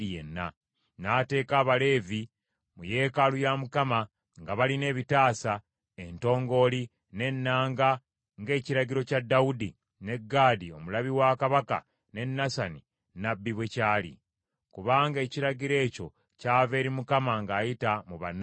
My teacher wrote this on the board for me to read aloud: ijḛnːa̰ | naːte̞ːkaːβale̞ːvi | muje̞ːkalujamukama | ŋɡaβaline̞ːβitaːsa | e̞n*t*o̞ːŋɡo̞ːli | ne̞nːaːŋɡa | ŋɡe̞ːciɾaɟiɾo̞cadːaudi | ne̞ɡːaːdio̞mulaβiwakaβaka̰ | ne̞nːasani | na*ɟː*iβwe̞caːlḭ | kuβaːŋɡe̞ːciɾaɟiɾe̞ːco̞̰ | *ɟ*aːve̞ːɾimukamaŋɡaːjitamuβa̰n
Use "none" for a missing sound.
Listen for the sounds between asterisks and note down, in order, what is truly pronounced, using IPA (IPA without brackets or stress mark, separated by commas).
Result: t, bː, c